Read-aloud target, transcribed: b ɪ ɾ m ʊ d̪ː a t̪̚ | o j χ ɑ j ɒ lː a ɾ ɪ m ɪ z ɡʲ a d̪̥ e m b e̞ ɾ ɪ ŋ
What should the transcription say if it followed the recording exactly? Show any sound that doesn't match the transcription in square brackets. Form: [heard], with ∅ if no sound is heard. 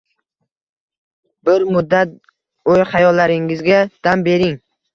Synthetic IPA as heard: b ɪ ɾ m ʊ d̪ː a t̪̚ | o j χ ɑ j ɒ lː a ɾ ɪ [ŋ] ɪ z ɡʲ a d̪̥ [a] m b e̞ ɾ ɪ ŋ